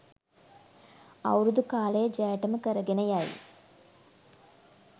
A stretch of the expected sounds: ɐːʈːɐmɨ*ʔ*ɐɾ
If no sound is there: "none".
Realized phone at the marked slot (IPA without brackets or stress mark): k